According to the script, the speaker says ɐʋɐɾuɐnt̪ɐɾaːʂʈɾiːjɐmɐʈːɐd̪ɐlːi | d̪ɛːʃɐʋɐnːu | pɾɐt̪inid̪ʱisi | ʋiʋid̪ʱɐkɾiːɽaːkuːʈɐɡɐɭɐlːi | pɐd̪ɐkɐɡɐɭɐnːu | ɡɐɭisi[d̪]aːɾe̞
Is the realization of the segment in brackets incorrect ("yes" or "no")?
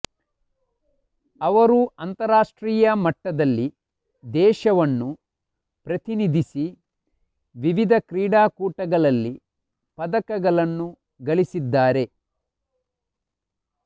yes